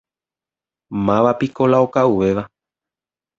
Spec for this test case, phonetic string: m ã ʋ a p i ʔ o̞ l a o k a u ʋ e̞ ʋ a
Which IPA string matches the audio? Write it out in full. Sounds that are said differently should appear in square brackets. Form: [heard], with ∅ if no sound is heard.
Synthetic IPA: m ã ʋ a p i [k] o̞ l a o k a u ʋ e̞ ʋ a

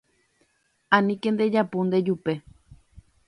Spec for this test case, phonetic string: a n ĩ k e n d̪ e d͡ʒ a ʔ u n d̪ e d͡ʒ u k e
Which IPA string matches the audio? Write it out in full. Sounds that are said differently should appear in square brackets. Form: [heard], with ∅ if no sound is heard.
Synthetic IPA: a n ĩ k e n d̪ e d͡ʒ a [p] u n d̪ e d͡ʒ u [p] e

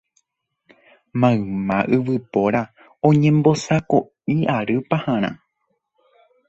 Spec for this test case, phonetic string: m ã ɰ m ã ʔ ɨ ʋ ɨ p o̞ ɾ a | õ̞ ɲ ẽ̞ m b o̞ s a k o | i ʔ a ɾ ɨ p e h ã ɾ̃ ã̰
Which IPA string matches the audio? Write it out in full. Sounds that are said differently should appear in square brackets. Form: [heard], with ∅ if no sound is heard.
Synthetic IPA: m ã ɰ m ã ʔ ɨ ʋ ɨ p o̞ ɾ a | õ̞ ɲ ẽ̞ m b o̞ s a k o | i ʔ a ɾ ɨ p [a] h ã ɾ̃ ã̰

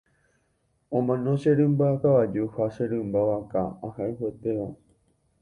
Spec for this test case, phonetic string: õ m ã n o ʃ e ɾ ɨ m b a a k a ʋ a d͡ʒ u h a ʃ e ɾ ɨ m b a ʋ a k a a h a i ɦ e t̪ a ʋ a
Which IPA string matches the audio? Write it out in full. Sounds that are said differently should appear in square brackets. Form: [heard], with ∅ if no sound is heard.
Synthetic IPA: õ m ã n o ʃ e ɾ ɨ m b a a k a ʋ a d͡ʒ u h a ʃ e ɾ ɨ m b a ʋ a k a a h a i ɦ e t̪ [e] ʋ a

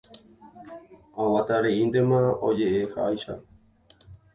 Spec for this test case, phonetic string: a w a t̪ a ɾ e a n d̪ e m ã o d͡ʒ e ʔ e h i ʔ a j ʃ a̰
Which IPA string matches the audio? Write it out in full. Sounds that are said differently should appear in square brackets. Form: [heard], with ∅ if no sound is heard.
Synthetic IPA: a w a t̪ a ɾ e [i] n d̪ e m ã o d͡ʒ e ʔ e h [a] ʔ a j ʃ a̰

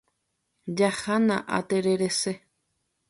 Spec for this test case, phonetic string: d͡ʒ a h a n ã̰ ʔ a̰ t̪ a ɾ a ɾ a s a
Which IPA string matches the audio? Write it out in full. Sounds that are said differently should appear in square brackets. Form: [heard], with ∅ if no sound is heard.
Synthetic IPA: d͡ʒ a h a n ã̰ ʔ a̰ t̪ [e] ɾ [e] ɾ [e] s [e]

